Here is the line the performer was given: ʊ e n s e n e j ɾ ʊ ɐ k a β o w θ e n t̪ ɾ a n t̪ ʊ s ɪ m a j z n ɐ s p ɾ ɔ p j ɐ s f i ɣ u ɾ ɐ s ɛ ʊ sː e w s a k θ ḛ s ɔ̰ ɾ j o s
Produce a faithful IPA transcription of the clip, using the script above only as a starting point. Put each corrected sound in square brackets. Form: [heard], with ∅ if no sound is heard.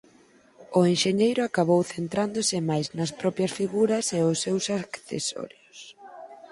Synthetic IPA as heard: ʊ e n [ʃ] e [ɲ] e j ɾ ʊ [a] k a β o w θ e n t̪ ɾ a n [d̪] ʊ s ɪ m a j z n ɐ s p ɾ ɔ p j ɐ s f i ɣ u ɾ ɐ s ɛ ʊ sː e w s a k θ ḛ s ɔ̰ ɾ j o s